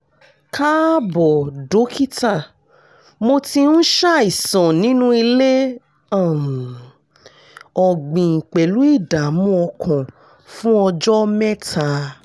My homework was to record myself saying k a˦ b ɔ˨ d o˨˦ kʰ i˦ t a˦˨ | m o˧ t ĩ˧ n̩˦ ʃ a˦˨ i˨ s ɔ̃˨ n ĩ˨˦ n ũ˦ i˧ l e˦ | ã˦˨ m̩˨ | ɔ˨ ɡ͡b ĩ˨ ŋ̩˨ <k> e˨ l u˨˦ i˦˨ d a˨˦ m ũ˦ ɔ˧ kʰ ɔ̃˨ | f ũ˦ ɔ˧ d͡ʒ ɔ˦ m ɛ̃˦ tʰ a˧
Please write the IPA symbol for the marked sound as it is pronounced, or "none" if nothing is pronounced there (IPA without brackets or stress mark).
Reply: k͡p